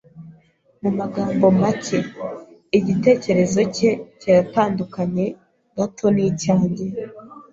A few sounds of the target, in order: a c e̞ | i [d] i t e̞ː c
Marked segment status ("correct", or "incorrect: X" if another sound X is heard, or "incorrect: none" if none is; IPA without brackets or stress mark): incorrect: ɟ